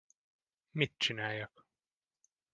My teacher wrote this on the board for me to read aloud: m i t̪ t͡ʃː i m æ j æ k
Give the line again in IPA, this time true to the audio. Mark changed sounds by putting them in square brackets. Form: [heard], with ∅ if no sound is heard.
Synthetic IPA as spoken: m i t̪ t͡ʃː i [n] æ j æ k